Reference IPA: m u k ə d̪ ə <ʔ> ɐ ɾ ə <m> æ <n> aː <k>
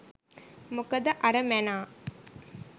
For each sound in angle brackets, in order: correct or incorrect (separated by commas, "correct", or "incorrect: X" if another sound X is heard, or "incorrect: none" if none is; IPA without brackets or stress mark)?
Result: correct, correct, correct, incorrect: none